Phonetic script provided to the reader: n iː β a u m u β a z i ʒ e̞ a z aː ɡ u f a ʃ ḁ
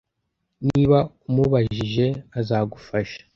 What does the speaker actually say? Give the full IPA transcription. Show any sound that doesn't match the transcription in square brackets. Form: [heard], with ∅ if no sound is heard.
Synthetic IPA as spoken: n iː β a u m u β a [ʒ] i ʒ e̞ a z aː ɡ u f a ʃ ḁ